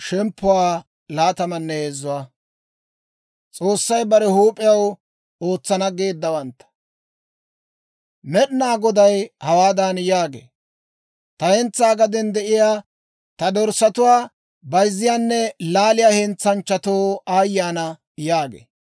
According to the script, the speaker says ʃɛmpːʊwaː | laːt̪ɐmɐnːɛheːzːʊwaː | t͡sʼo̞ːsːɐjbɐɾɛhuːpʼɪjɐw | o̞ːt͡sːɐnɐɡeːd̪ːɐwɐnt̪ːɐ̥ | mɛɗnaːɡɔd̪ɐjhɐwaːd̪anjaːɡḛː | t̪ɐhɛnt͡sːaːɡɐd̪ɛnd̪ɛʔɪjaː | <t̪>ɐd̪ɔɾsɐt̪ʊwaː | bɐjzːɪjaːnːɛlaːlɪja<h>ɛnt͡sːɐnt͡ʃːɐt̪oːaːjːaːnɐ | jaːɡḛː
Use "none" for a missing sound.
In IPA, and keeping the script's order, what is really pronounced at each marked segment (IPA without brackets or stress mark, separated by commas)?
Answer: t̪, h